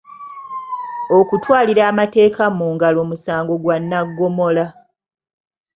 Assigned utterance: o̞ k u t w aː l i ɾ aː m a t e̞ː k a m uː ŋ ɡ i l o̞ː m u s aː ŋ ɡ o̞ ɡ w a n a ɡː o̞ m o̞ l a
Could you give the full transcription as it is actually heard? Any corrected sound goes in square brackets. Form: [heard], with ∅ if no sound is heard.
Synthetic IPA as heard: o̞ k u t w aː l i ɾ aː m a t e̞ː k a m uː ŋ ɡ [a] l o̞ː m u s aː ŋ ɡ o̞ ɡ w a [nː] a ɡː o̞ m o̞ l a

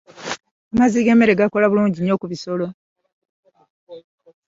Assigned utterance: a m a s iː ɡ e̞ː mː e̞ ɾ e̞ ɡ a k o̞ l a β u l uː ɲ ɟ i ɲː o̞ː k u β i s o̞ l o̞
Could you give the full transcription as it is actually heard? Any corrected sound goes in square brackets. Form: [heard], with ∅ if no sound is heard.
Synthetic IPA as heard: a m a [z] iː ɡ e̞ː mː e̞ ɾ e̞ ɡ a k o̞ l a β u l uː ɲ ɟ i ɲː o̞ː k u β i s o̞ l o̞

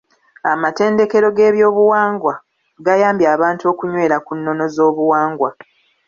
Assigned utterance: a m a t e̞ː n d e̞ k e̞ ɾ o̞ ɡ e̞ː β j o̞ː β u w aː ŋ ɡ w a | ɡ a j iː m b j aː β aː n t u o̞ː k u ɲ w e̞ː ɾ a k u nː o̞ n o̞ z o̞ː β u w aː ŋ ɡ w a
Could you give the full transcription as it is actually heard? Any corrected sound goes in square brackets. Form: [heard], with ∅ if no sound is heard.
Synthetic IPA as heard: a m a t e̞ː n d e̞ k e̞ ɾ o̞ ɡ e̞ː β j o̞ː β u w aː ŋ ɡ w a | ɡ a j [aː] m b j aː β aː n t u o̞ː k u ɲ w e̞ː ɾ a k u nː o̞ n o̞ z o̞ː β u w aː ŋ ɡ w a

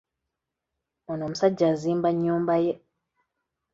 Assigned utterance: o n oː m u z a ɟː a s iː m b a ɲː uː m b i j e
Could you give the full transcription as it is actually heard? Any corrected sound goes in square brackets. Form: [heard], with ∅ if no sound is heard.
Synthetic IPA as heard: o n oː m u [s] a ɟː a [z] iː m b a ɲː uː m b [a] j e

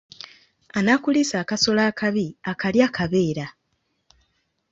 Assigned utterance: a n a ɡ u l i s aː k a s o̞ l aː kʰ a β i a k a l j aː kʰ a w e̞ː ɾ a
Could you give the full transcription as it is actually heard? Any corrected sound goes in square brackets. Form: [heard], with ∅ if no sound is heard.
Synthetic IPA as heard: a n a [k] u l i s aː k a s o̞ l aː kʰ a β i a k a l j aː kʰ a [β] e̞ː ɾ a

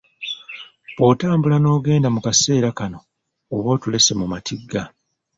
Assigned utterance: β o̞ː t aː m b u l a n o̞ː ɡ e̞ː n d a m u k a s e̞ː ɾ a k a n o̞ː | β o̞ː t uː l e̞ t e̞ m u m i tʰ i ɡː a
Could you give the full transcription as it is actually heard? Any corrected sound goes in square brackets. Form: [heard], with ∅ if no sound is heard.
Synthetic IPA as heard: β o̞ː t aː m b u l a n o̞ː ɡ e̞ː n d a m u k a s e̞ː ɾ a k a n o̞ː | β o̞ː t [u] l e̞ [s] e̞ m u m [a] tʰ i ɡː a

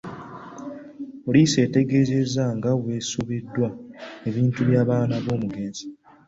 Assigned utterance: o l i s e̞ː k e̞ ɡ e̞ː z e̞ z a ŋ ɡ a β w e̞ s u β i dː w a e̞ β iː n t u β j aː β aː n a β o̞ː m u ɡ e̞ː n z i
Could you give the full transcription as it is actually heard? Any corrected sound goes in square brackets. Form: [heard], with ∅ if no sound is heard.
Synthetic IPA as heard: o l i s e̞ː [t] e̞ ɡ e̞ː z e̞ z a ŋ ɡ a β w e̞ s u β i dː w a e̞ β iː n t u β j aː β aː n a β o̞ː m u ɡ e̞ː n z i

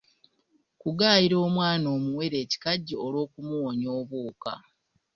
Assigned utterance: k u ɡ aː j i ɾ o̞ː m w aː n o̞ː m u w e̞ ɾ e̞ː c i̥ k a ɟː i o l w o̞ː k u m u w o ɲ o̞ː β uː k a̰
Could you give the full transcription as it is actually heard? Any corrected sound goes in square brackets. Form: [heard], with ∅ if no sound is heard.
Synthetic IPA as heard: k u ɡ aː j i ɾ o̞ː m w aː n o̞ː m u w e̞ ɾ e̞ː c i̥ k a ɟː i o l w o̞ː k u m u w o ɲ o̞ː β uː k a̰

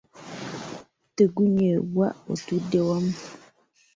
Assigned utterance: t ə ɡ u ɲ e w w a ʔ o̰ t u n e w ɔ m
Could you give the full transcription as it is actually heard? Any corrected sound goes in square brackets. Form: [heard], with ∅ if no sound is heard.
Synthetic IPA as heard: t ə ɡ u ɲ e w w a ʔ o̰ t u [d] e w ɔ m

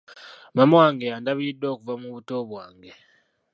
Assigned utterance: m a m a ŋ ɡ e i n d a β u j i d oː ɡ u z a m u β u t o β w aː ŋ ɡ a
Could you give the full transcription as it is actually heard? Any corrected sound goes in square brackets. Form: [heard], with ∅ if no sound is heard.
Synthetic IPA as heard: m a m a ŋ ɡ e [a] n d a β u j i d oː [k] u [v] a m u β u t o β w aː ŋ ɡ [e]

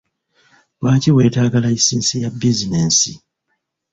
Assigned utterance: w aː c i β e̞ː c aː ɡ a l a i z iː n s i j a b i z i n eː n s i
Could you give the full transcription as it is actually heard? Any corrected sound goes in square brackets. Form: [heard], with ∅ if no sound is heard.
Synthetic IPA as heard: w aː c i [w] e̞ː [t] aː ɡ a l a i [s] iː n s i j a b i z i n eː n s i

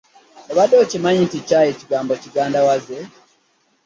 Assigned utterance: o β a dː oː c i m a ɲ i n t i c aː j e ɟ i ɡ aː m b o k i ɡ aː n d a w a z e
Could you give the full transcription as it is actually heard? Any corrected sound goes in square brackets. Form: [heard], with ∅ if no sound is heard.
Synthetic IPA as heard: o β a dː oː c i m a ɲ i n t i c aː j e [c] i ɡ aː m b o [c] i ɡ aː n d a w a z e

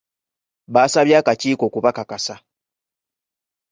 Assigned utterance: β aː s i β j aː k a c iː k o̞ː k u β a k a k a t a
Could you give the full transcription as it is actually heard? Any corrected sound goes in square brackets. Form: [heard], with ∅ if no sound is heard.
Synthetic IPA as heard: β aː s [a] β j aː k a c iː k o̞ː k u β a k a k a [s] a

